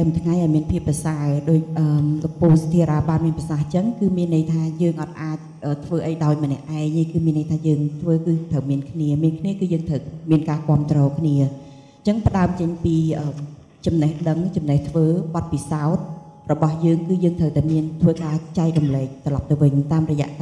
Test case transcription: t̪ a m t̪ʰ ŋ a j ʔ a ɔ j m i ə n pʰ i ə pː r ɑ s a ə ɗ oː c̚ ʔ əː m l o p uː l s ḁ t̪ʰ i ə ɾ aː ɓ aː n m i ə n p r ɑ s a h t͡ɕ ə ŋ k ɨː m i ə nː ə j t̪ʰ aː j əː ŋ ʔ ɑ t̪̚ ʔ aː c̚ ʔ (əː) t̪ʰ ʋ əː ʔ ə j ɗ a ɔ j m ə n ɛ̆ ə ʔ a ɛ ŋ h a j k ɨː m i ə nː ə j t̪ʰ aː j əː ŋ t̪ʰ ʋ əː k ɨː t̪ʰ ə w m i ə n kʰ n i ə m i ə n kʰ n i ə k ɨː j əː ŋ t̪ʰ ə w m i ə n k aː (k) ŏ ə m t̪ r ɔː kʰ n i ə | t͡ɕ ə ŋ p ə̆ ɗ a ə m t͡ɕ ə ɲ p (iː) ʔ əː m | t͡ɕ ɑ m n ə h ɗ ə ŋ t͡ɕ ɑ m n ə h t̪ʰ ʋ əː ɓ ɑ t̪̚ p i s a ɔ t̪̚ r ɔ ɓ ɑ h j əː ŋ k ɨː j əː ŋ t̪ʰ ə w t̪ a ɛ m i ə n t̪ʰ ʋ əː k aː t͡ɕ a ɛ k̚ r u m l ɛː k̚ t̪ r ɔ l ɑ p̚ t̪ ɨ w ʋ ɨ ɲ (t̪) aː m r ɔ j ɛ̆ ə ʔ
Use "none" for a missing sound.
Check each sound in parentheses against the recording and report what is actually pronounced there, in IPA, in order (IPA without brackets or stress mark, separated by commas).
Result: əː, k, iː, t̪